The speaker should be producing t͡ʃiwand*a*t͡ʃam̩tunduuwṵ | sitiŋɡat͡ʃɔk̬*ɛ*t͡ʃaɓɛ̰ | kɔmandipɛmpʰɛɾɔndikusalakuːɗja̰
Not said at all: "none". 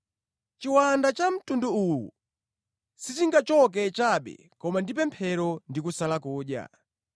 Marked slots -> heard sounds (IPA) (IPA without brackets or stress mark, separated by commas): a, ɛ